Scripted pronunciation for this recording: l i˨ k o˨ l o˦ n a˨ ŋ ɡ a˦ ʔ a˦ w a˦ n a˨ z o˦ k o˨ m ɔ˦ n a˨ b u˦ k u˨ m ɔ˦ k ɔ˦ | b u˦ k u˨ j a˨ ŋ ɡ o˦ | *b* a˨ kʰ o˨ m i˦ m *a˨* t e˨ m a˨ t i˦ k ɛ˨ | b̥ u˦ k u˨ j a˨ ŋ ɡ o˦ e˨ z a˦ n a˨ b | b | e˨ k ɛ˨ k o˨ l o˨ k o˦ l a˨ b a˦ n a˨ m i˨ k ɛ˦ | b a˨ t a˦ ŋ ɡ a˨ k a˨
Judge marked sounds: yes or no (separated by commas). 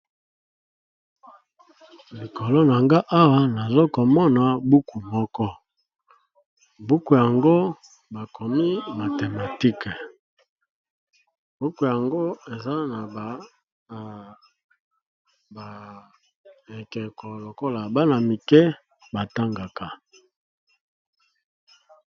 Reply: yes, yes